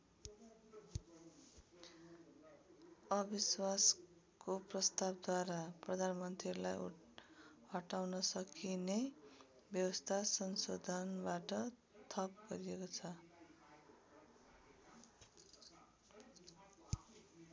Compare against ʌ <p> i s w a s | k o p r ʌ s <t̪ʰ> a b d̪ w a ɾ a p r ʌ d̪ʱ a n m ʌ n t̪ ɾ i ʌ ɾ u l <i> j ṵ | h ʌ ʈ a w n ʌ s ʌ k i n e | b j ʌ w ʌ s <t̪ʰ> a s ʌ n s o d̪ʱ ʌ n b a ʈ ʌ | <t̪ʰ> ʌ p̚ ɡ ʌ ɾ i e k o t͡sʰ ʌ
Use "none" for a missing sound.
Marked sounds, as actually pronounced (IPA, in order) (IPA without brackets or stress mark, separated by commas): b, t̪, a, t̪ʰ, t̪ʰ